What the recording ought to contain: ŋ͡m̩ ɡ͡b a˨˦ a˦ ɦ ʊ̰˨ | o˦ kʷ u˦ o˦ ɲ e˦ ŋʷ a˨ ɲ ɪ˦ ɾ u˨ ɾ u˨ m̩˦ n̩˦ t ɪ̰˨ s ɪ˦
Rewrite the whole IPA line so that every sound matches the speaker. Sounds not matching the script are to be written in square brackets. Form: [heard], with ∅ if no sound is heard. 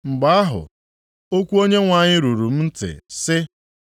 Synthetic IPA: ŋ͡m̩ ɡ͡b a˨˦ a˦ ɦ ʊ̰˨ | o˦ kʷ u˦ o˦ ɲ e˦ ŋʷ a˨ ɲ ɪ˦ ɾ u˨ ɾ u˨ m̩˦ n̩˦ t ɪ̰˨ s ɪ˦